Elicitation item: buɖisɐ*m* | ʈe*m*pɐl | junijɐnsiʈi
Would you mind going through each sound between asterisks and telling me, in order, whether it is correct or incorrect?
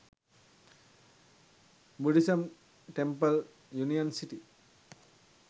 correct, correct

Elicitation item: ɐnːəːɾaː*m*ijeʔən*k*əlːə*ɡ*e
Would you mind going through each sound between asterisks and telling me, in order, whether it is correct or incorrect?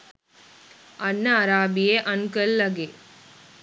incorrect, correct, correct

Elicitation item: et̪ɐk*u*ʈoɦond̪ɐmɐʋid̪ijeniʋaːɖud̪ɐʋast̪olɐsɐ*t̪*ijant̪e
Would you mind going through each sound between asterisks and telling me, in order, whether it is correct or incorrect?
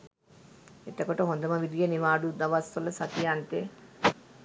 incorrect, correct

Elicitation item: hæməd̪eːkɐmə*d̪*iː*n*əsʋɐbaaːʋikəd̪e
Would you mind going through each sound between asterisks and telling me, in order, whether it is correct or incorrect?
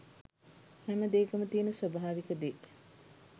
incorrect, correct

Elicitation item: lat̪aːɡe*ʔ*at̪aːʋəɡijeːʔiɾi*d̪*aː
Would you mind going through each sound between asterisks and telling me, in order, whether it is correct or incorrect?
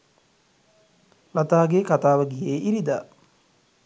incorrect, correct

